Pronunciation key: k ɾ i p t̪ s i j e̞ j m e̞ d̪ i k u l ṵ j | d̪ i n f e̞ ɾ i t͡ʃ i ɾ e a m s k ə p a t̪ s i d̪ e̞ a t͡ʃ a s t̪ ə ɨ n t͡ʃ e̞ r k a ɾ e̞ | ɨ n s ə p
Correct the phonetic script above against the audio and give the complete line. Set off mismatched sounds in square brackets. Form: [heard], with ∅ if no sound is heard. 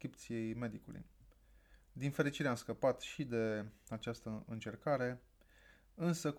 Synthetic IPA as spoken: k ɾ i p t̪ s i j e̞ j m e̞ d̪ i k u l ṵ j | d̪ i n f e̞ ɾ i t͡ʃ i ɾ e a m s k ə p a t̪ [ʃ] i d̪ e̞ a t͡ʃ a s t̪ ə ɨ n t͡ʃ e̞ r k a ɾ e̞ | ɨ n s ə [k]